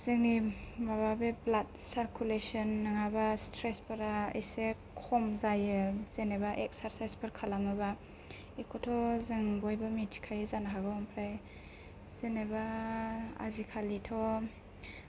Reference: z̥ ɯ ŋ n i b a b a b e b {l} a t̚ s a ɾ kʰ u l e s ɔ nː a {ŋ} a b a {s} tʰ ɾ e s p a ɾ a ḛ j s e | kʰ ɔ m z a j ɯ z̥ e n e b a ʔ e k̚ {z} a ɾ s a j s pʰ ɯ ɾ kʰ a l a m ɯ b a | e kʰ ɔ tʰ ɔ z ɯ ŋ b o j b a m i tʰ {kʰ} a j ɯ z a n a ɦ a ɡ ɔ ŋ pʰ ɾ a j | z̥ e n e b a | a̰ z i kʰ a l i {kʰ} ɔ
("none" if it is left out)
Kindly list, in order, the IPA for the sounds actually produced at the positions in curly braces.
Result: l, ŋ, s, s, kʰ, tʰ

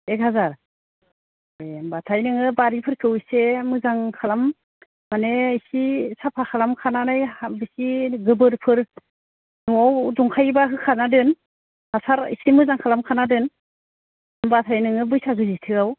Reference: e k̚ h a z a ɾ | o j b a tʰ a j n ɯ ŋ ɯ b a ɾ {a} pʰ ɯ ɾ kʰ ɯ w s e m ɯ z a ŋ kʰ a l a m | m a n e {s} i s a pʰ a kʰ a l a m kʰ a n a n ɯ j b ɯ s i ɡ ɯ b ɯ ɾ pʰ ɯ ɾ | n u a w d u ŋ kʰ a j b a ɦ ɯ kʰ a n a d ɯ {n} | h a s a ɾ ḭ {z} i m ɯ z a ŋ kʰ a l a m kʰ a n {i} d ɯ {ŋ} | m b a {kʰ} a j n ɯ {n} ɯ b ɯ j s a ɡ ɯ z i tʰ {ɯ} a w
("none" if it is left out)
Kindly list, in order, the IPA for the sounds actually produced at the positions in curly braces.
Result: i, s, n, s, a, n, tʰ, ŋ, ɯ

